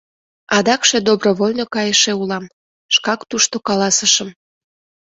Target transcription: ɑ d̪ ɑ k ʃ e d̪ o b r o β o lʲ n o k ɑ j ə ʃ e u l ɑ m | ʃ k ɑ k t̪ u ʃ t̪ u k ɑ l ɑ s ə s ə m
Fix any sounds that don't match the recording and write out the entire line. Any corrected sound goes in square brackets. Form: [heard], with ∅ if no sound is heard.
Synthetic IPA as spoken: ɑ d̪ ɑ k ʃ e d̪ o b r o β o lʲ n o k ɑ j ə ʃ e u l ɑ m | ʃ k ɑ k t̪ u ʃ t̪ [o] k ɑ l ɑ s ə [ʃ] ə m